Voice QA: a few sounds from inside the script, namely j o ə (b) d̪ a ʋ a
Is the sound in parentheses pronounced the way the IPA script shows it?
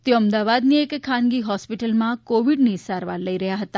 no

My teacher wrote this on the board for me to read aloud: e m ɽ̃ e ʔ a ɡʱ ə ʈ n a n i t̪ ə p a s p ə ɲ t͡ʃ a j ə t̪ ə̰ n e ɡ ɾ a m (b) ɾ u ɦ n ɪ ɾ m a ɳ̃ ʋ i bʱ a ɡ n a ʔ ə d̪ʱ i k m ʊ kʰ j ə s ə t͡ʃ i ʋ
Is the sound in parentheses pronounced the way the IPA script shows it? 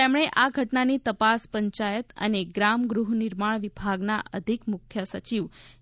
no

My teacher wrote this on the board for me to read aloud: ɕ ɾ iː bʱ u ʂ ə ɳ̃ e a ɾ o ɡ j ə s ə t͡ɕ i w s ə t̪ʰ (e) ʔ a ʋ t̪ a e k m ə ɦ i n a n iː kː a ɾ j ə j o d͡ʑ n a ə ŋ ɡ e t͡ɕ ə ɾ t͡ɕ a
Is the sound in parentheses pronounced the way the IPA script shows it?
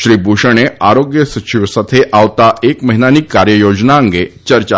yes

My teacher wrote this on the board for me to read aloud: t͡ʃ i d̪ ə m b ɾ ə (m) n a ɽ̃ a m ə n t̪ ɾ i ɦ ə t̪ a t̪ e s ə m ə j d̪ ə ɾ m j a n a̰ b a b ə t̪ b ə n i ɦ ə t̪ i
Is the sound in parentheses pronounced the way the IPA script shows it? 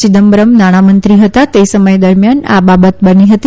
yes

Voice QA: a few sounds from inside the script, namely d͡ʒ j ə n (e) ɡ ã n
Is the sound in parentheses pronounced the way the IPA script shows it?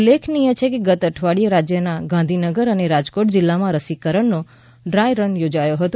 no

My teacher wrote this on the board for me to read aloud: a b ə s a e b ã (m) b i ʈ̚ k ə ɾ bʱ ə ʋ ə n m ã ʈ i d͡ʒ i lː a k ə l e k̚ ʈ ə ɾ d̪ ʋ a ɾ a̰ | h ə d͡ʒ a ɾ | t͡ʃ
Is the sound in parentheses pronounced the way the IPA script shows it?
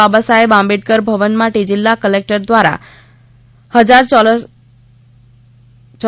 yes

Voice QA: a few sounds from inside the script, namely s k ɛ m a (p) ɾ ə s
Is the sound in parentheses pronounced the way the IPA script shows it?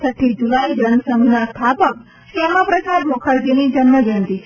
yes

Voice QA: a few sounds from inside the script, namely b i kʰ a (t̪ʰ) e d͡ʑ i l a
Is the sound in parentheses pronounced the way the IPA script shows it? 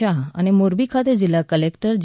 no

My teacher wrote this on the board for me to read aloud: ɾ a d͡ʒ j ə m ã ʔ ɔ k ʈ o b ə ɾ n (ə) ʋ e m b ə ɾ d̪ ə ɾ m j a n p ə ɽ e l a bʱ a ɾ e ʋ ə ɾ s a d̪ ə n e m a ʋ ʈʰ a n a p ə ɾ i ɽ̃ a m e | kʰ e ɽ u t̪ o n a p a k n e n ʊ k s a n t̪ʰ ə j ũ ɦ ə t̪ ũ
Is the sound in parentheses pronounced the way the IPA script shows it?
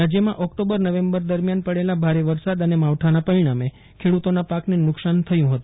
yes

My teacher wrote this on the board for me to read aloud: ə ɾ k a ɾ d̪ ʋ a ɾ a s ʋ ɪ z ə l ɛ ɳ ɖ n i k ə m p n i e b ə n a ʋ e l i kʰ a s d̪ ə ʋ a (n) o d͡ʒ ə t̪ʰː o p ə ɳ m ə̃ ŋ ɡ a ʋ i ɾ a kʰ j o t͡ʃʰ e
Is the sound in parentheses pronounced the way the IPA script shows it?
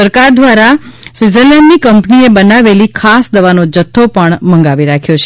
yes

